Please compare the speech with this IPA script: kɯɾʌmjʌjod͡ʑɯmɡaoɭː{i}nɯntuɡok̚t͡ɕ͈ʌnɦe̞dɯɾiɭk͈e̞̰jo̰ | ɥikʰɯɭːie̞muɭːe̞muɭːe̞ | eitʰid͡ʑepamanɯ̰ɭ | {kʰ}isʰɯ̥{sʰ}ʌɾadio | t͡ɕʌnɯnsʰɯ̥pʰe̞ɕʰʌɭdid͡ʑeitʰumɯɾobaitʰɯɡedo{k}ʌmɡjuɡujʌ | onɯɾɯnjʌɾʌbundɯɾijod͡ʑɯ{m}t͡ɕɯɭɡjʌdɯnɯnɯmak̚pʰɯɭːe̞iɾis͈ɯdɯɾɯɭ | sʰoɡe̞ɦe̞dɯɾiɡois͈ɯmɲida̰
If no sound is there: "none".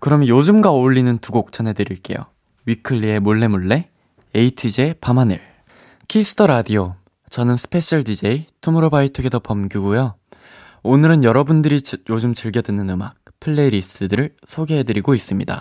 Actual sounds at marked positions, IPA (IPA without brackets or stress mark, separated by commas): i, kʰ, tʰ, p, m